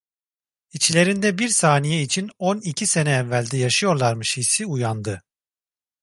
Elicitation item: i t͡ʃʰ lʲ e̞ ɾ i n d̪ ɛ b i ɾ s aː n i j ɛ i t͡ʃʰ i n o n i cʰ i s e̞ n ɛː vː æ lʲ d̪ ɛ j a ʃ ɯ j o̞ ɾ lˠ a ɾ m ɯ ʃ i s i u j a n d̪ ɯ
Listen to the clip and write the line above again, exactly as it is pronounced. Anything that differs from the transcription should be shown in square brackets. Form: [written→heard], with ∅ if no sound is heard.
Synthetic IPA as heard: i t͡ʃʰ lʲ e̞ ɾ i n d̪ ɛ b i ɾ s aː n i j ɛ i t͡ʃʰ i n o n i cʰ i s e̞ n ɛː vː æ lʲ d̪ ɛ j a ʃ ɯ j o̞ ɾ lˠ a ɾ m ɯ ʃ i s i u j a n d̪ ɯ